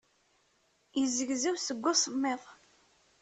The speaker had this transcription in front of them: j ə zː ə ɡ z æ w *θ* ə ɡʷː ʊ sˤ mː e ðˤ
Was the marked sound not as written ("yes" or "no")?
yes